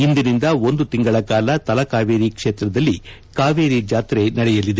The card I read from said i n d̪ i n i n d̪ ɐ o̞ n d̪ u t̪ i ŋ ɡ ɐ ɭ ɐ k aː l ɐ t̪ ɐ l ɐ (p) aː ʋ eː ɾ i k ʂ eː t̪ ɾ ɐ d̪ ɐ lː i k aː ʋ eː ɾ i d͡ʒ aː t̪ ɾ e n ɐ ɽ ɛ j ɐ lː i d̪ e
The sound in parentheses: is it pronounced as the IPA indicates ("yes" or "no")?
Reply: no